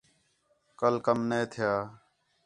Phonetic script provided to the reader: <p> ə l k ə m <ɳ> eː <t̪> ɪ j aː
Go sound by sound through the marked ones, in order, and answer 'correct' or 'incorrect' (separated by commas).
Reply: incorrect, incorrect, incorrect